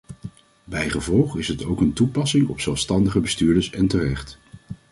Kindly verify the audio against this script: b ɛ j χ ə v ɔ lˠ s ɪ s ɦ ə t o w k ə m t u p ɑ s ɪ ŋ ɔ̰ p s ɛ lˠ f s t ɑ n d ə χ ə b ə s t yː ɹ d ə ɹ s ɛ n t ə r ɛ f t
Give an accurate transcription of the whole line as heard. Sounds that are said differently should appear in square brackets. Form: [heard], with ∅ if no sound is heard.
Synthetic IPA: b ɛ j χ ə v ɔ lˠ [χ] ɪ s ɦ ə t o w k ə [n] t u p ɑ s ɪ ŋ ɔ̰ p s ɛ lˠ f s t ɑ n d ə χ ə b ə s t yː ɹ d ə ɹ s ɛ n t ə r ɛ [χ] t